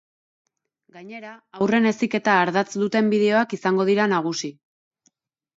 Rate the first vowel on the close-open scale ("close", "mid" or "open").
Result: open